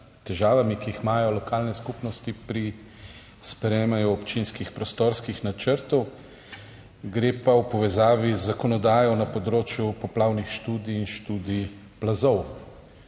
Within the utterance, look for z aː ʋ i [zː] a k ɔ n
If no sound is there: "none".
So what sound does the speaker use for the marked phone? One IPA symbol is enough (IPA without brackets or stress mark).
zː